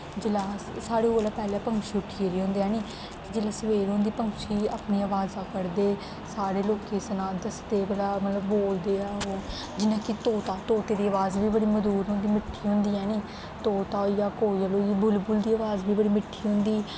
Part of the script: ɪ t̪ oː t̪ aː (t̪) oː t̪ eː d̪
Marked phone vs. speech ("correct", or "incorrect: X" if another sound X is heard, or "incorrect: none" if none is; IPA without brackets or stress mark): correct